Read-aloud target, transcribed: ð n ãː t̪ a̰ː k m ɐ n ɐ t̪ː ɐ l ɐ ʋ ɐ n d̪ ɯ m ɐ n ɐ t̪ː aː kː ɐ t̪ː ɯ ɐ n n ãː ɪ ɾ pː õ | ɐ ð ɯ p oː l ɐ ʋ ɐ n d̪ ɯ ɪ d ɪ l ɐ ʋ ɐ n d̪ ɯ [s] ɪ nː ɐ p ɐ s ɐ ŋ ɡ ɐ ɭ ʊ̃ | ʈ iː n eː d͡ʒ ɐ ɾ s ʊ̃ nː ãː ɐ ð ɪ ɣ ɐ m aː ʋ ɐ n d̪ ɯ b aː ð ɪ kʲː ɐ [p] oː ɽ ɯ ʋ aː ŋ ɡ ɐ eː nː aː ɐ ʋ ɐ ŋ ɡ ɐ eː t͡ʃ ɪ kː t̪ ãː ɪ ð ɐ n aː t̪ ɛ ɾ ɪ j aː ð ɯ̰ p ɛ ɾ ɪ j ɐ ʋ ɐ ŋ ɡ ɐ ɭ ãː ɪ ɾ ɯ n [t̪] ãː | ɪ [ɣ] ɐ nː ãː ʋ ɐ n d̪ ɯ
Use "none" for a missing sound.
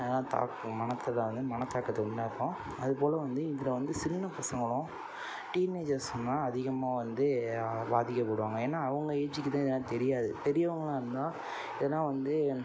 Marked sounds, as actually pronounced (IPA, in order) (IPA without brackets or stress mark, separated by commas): s, p, d̪, ð